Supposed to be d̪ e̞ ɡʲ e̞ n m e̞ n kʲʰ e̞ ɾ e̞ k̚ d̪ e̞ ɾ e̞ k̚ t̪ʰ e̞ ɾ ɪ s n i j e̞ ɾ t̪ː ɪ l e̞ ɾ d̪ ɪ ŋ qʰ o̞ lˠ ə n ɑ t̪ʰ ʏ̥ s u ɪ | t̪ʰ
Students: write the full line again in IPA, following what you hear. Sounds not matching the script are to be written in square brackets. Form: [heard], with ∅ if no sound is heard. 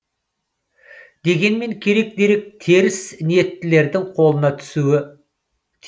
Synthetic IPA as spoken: d̪ e̞ ɡʲ e̞ n m e̞ [ŋ] kʲʰ e̞ ɾ e̞ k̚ d̪ e̞ ɾ e̞ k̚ t̪ʰ e̞ ɾ ɪ s n i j e̞ [∅] t̪ː ɪ l e̞ ɾ d̪ ɪ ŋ qʰ o̞ lˠ ə n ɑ t̪ʰ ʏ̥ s u ɪ | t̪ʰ